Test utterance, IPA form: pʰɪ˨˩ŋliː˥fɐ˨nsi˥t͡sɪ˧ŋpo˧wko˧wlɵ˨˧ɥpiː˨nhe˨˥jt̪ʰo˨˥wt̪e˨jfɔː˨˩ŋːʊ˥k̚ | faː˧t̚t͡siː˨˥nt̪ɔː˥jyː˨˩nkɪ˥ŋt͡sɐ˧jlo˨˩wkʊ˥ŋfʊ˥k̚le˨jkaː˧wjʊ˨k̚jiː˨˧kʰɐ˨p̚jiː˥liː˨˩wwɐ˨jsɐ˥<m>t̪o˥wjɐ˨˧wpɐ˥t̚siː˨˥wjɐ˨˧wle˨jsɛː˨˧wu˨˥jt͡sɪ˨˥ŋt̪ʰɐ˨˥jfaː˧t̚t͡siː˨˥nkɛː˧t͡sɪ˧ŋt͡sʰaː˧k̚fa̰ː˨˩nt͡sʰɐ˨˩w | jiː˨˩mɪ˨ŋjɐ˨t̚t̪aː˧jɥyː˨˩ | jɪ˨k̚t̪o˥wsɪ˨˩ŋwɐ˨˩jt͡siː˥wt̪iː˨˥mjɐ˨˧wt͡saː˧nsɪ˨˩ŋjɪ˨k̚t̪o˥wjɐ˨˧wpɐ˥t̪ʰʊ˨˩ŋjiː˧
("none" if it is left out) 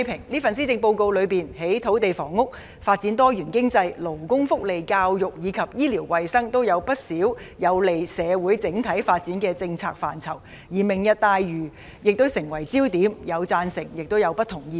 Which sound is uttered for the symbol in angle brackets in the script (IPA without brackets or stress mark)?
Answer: ŋ